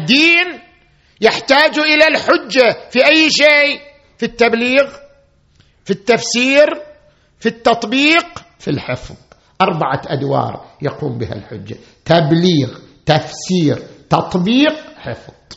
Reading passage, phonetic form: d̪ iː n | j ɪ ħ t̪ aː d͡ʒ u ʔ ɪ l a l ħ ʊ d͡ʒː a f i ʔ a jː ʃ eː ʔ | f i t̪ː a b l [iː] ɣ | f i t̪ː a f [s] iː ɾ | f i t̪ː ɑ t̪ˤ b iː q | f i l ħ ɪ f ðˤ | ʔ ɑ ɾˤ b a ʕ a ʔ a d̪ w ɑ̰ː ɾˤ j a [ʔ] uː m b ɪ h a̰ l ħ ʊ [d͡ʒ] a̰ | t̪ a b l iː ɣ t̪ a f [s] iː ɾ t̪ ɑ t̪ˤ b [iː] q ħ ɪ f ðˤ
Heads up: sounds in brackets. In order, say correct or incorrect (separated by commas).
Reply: correct, correct, incorrect, incorrect, correct, correct